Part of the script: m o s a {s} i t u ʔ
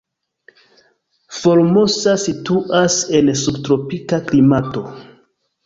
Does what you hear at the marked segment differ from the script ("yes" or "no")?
no